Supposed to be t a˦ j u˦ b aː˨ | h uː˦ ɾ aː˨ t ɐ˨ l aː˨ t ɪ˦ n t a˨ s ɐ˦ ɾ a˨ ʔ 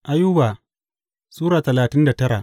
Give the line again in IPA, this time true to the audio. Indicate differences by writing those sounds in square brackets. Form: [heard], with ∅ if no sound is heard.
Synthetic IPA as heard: [ʔ] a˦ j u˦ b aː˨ | [s] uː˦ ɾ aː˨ t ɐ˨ l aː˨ t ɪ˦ n [d] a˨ [t] ɐ˦ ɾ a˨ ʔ

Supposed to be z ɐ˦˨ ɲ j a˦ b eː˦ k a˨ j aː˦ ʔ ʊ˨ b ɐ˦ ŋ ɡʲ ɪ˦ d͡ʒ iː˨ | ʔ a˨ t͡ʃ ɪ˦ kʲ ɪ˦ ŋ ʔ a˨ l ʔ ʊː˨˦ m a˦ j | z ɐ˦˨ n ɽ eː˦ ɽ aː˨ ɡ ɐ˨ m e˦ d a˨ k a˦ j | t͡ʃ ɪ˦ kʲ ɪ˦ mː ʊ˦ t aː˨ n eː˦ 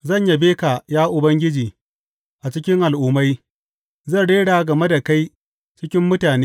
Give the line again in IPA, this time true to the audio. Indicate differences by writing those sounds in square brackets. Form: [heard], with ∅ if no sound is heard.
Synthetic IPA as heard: z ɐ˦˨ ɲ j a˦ b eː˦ k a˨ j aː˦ ʔ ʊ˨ b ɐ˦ ŋ ɡʲ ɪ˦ d͡ʒ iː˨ | ʔ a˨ t͡ʃ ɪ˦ kʲ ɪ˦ ŋ ʔ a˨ l ʔ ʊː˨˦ m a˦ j | z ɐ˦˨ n ɽ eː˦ ɽ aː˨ ɡ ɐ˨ m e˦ d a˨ k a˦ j | t͡ʃ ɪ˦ kʲ ɪ˦ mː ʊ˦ t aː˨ n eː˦

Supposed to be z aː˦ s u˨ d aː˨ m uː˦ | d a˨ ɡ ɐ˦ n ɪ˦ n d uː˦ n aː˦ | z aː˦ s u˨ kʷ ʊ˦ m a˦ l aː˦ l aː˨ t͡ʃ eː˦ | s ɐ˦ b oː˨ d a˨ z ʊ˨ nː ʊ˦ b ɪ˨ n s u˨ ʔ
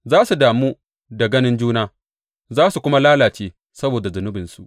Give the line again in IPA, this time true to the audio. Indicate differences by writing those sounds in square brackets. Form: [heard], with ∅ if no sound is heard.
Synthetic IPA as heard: z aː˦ s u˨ d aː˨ m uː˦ | d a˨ ɡ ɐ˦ n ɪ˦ n [d͡ʒ] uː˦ n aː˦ | z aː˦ s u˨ kʷ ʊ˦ m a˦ l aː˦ l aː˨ t͡ʃ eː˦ | s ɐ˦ b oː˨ d a˨ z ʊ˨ [n] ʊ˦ b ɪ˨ n s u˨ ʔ

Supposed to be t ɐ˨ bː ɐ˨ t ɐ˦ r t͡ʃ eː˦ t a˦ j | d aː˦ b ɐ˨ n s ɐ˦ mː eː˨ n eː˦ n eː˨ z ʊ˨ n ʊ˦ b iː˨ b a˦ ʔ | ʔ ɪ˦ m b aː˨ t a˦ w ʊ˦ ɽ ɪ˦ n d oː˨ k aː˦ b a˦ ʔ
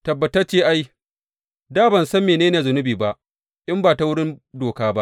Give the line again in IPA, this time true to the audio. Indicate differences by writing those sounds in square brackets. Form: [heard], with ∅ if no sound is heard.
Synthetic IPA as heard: t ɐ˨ bː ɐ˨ t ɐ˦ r t͡ʃ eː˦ [ʔ] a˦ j | d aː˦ b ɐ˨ n s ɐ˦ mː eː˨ n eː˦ n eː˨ z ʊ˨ n ʊ˦ b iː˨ b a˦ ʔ | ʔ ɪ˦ m b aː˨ t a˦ w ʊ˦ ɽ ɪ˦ n d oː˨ k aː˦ b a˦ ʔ

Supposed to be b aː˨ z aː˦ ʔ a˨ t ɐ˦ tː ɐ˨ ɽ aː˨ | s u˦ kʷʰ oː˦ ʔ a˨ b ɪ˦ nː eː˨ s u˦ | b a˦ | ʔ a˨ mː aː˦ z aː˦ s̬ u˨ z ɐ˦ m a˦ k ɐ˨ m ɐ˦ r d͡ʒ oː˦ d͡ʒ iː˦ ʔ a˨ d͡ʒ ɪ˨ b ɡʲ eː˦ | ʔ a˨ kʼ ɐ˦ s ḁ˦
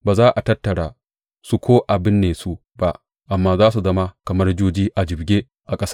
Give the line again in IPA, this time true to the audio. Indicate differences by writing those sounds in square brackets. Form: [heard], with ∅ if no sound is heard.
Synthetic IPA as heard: b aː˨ z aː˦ ʔ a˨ t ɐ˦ tː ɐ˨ ɽ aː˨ | s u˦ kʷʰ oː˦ ʔ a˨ b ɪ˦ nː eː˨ s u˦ | b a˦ | ʔ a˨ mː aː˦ z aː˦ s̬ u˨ z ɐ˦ m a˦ k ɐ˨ m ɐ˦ r d͡ʒ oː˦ d͡ʒ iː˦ ʔ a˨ d͡ʒ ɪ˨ b ɡʲ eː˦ | ʔ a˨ kʼ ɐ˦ s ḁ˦

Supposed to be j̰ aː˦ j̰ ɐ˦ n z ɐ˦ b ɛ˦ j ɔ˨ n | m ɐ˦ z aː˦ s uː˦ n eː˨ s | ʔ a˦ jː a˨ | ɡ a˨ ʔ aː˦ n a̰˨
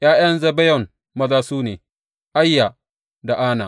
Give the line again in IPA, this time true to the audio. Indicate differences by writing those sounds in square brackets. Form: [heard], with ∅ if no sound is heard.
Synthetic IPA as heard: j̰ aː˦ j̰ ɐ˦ n z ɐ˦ b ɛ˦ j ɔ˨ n | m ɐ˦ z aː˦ s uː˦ n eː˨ [∅] | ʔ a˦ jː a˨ | [d] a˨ ʔ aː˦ n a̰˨

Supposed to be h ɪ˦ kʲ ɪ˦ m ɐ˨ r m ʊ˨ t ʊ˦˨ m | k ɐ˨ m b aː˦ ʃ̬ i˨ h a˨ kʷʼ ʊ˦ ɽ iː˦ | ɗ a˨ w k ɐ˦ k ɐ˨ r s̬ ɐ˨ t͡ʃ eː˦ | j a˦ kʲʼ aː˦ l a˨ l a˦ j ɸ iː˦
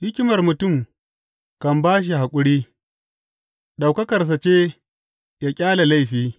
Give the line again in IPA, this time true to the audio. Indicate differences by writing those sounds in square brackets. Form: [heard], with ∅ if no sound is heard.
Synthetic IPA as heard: h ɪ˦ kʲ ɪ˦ m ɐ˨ r m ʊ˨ t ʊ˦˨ m | k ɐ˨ m b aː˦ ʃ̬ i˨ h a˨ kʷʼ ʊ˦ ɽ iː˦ | ɗ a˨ w k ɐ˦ k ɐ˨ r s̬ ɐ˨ t͡ʃ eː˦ | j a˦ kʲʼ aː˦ l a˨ l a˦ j ɸ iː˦

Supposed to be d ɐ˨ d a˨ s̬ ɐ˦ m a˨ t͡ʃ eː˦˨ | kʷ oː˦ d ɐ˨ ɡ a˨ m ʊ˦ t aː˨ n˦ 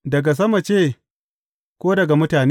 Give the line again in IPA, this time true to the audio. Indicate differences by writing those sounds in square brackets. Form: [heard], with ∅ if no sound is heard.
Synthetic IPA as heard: d ɐ˨ [ɡ] a˨ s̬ ɐ˦ m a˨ t͡ʃ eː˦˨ | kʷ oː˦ d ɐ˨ ɡ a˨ m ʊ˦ t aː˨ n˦

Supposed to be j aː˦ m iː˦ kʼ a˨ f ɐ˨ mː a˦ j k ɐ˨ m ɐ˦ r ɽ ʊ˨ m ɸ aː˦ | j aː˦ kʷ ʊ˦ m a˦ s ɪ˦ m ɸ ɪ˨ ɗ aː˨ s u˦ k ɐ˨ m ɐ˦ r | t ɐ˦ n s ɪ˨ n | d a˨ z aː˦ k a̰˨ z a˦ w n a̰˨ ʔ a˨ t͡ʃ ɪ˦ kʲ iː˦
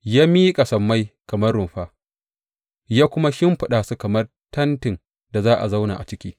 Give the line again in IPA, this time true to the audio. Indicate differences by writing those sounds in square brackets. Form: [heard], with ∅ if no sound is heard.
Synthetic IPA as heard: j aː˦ m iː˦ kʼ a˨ [s] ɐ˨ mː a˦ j k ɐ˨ m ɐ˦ r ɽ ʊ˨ m ɸ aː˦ | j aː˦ kʷ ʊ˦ m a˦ [ʃ] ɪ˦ m ɸ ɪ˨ ɗ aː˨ s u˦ k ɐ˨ m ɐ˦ r | t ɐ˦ n [t] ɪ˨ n | d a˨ z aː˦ [ʔ] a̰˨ z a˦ w n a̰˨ ʔ a˨ t͡ʃ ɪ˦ kʲ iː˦

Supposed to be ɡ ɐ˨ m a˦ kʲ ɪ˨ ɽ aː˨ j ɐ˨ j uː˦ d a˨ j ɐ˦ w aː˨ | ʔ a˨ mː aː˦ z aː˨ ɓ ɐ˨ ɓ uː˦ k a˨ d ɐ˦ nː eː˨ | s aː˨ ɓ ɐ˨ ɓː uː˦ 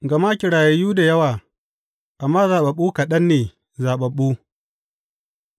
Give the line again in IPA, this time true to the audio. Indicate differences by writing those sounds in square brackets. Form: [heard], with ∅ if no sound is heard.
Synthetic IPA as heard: ɡ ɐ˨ m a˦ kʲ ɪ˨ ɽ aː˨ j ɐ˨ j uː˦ d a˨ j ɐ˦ w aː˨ | ʔ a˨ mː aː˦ z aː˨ ɓ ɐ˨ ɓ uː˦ k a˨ [ɗ] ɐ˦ nː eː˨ | [z] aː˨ ɓ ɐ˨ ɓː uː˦

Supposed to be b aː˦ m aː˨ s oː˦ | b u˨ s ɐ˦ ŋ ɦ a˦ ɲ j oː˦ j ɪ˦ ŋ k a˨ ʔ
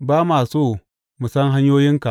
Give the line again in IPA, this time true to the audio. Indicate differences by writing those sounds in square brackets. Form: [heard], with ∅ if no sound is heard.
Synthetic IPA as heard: b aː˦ m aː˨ s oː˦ | [m] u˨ s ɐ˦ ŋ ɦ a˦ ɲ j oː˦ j ɪ˦ ŋ k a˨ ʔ

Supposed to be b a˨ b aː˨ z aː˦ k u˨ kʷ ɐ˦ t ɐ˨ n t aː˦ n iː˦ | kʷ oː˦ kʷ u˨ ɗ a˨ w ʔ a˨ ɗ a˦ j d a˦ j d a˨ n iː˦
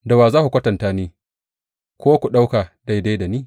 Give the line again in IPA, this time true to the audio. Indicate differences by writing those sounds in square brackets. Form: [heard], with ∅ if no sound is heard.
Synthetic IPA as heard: [d] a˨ [w] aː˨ z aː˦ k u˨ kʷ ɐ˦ t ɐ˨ n t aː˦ n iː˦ | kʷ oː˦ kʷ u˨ ɗ [a˦] w [k] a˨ [d] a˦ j d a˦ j d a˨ n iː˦

